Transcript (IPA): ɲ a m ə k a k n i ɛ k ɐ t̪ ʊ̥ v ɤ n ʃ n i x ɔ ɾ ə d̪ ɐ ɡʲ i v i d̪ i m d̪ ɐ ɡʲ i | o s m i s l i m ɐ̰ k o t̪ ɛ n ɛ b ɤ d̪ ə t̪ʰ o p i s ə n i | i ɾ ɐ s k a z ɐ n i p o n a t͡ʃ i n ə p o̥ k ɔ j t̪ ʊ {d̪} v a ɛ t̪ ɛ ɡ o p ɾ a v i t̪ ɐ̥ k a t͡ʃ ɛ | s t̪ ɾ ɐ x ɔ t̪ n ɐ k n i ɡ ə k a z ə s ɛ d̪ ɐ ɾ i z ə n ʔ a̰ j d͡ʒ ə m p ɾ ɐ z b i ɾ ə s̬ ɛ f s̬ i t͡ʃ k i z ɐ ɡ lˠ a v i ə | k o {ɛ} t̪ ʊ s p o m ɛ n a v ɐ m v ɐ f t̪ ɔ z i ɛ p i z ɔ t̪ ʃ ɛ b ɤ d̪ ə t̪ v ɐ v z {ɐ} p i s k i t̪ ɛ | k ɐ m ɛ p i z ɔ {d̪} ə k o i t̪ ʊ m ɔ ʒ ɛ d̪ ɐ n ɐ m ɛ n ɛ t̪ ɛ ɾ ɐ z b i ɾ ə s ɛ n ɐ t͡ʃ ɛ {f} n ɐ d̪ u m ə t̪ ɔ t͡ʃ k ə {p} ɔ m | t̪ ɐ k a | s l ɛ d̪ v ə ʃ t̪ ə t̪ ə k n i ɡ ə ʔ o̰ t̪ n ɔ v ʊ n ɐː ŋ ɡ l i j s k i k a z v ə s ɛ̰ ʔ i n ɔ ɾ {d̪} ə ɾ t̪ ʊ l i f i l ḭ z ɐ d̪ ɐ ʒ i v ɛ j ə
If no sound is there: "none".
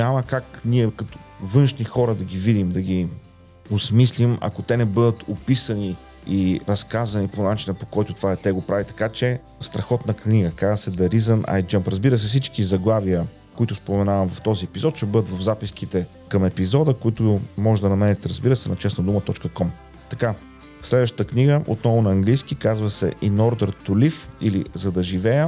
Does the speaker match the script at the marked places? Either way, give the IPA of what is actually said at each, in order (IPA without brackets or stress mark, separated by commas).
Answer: t̪, i, a, d̪, s, k, d̪